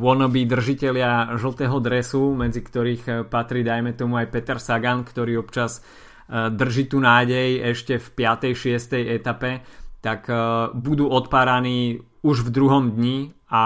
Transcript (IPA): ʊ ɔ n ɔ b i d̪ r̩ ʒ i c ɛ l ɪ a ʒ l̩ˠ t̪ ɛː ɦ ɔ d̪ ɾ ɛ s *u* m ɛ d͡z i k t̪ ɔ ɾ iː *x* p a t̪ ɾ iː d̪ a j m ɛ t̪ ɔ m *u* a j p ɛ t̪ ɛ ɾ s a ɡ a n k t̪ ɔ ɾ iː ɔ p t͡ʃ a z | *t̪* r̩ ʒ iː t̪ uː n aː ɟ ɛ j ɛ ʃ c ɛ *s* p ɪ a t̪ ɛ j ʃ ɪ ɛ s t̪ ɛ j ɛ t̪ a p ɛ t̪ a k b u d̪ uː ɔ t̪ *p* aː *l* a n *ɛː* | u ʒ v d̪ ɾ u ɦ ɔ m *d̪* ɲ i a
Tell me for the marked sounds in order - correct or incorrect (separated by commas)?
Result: correct, correct, correct, incorrect, incorrect, correct, incorrect, incorrect, correct